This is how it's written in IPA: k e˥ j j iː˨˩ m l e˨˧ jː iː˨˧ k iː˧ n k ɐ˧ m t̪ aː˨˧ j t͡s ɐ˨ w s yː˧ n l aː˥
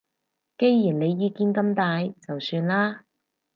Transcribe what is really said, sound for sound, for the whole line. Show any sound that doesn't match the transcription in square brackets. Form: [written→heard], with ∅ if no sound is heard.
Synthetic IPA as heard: k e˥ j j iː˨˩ [m→n] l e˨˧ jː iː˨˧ k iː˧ n k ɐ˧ m t̪ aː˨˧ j t͡s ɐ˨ w s yː˧ n l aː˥